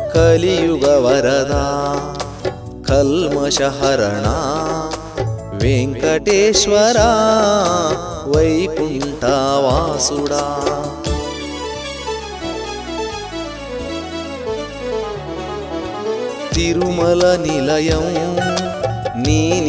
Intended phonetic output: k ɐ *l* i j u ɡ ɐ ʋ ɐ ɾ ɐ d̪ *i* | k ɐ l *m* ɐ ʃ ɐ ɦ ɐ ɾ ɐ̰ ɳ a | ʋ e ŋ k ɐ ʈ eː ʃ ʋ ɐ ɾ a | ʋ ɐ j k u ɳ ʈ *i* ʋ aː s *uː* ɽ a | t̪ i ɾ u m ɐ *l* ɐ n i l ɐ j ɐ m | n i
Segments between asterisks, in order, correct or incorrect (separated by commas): correct, incorrect, correct, incorrect, incorrect, correct